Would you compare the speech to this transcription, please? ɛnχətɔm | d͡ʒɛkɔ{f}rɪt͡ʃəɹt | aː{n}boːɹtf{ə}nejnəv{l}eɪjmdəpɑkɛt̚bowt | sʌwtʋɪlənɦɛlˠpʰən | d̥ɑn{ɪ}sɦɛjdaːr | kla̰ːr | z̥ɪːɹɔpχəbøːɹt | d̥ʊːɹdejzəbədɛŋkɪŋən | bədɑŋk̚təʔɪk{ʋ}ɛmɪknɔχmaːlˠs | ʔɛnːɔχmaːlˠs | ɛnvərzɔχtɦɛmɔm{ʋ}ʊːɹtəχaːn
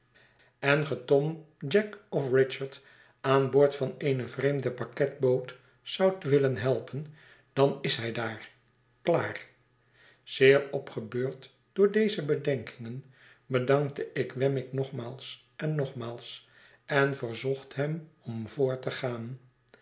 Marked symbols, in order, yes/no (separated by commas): yes, yes, no, no, yes, yes, no